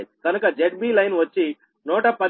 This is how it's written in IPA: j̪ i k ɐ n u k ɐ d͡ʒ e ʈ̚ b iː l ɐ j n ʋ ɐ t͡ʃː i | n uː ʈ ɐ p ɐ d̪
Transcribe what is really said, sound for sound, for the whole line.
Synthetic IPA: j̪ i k ɐ n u k ɐ d͡ʒ e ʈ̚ b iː l ɐ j n ʋ ɐ t͡ʃː i | n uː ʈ ɐ p ɐ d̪